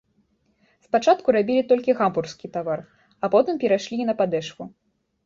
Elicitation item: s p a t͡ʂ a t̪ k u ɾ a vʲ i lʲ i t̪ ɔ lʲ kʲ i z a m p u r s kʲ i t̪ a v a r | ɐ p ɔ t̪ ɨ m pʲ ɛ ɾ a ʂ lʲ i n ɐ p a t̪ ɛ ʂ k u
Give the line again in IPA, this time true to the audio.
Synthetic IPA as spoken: s p a t͡ʂ a t̪ k u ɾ a bʲ i lʲ i t̪ ɔ lʲ kʲ i ɣ a m p u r s kʲ i t̪ a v a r | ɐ p ɔ t̪ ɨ m pʲ ɛ ɾ a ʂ lʲ i n ɐ p a d̪ ɛ ʂ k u